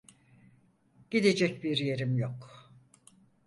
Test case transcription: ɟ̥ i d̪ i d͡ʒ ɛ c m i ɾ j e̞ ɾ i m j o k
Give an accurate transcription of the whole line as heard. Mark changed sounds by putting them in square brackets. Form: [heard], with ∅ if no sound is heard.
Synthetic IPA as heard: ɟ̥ i d̪ [e] d͡ʒ ɛ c [b] i ɾ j e̞ ɾ i m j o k